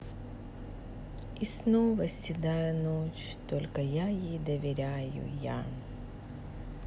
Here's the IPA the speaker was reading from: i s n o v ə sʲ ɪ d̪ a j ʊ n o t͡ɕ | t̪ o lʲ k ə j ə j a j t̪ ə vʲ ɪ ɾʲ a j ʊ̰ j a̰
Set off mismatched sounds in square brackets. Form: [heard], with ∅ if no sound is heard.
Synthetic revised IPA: i s n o v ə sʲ ɪ d̪ a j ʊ n o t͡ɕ | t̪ o lʲ k ə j [a] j [e] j [d̪] ə vʲ ɪ ɾʲ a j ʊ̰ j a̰